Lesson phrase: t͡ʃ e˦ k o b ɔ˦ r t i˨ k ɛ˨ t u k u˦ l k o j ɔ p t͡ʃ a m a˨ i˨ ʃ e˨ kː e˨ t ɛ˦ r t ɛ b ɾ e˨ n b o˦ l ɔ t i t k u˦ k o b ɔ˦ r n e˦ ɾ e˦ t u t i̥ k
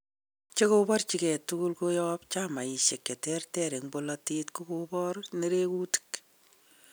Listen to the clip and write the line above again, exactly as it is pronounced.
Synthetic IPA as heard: t͡ʃ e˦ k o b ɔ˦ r t͡ʃ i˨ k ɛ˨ t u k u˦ l k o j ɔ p t͡ʃ a m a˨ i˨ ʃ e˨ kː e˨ t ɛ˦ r t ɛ ɾ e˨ ŋ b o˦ l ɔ t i t k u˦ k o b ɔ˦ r n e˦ ɾ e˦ k u t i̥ k